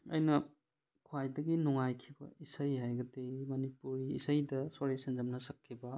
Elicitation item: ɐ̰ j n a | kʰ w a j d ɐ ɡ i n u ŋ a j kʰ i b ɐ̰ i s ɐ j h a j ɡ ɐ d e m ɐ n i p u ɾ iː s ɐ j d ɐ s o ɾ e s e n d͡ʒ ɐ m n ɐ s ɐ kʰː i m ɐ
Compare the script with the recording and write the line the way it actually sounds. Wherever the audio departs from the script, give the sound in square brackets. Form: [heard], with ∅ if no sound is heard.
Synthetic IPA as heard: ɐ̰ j n [ɐ] | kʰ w a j d ɐ ɡ i n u ŋ a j kʰ i b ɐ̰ i s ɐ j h a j ɡ ɐ d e m ɐ n i p u ɾ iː s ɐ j d ɐ s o ɾ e s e n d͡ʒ ɐ m n ɐ s ɐ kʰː i [b] ɐ

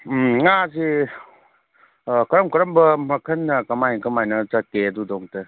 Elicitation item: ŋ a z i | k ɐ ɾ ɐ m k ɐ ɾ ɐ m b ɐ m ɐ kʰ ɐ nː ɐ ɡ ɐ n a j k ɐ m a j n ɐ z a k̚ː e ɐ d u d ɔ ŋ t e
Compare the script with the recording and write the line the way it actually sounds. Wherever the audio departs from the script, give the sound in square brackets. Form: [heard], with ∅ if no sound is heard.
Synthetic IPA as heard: ŋ a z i | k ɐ ɾ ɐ m k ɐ ɾ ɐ m b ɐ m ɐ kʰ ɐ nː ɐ [k] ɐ [m] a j k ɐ m a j n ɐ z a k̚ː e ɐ d u d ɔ ŋ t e

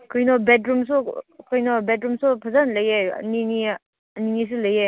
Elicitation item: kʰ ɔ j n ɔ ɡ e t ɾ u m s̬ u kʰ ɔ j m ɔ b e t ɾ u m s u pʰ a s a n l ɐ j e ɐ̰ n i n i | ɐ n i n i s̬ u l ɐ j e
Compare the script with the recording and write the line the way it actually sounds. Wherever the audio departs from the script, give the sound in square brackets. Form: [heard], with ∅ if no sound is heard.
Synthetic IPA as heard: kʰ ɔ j n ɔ [b] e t ɾ u m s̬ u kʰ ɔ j [n] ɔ b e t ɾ u m s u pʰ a [z] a n l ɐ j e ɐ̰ n i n i | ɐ n i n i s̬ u l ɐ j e

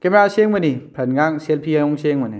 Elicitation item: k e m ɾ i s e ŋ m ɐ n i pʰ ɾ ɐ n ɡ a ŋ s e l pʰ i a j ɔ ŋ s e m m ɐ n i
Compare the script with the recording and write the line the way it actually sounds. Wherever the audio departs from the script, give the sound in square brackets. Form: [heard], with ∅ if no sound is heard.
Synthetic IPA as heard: k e m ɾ [a] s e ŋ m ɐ n i pʰ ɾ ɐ n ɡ a ŋ s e l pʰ i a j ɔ ŋ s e [ŋ] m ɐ n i

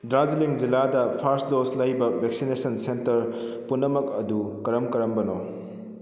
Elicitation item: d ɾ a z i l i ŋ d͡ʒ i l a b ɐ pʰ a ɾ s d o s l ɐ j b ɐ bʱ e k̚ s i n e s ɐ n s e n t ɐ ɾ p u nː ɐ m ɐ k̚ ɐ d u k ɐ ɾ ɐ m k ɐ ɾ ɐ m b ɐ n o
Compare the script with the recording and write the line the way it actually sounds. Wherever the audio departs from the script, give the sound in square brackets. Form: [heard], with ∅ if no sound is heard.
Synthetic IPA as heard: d ɾ a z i l i ŋ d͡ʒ i l a [d] ɐ pʰ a ɾ s d o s l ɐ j b ɐ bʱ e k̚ s i n e s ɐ n s e n t ɐ ɾ p u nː ɐ m ɐ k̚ ɐ d u k ɐ ɾ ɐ m k ɐ ɾ ɐ m b ɐ n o

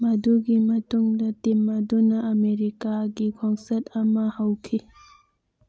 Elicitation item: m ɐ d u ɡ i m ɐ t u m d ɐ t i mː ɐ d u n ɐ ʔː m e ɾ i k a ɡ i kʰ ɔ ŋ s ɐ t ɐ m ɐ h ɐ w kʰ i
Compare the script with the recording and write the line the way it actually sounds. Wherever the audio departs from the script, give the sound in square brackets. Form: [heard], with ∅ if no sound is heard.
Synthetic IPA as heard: m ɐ d u ɡ i m ɐ t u [ŋ] d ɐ t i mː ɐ d u n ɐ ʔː m e ɾ i k a ɡ i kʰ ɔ ŋ s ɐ t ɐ m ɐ h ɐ w kʰ i

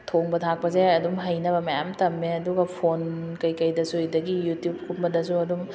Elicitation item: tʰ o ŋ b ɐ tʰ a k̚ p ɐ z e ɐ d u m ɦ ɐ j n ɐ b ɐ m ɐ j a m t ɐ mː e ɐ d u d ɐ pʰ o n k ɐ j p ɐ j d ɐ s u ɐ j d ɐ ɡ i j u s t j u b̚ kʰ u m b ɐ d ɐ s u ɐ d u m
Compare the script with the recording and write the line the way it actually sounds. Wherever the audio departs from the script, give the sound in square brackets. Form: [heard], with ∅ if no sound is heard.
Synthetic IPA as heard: tʰ o ŋ b ɐ tʰ a k̚ p ɐ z e ɐ d u m ɦ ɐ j n ɐ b ɐ m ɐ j a m t ɐ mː e ɐ d u [ɡ] ɐ pʰ o n k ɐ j [k] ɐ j d ɐ s u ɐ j d ɐ ɡ i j u [∅] t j u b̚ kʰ u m b ɐ d ɐ s u ɐ d u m

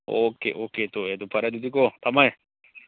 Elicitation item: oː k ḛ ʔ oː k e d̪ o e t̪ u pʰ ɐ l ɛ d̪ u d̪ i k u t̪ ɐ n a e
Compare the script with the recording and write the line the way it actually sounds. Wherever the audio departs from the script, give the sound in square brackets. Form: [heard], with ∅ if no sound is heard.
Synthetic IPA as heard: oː k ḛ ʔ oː k e [t̪] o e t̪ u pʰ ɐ [ɾ] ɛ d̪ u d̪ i k [o] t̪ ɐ [m] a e

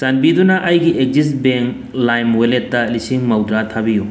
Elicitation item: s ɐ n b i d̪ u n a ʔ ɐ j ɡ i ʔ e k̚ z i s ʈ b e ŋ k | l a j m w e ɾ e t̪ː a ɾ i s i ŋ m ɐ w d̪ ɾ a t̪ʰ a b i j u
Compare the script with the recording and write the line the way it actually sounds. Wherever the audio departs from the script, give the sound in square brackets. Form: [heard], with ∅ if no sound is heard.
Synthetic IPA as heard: s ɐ n b i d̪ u n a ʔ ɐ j ɡ i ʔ e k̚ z i s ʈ b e ŋ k | l a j m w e [l] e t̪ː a [l] i s i ŋ m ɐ w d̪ ɾ a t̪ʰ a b i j u

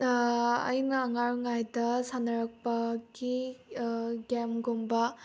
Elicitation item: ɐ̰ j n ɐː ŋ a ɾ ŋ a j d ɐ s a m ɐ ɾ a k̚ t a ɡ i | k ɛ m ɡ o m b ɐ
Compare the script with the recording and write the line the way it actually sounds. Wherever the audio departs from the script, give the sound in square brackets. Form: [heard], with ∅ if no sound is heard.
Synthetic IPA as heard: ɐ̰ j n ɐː ŋ a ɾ ŋ a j d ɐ s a [n] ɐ ɾ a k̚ [p] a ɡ i | [ɡ] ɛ m ɡ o m b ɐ

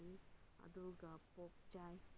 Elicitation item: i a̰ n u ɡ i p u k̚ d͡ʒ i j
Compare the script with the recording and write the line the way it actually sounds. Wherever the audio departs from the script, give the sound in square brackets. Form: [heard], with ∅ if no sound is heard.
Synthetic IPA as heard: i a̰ [d] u ɡ [a] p [ɔ] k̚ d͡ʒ [a] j

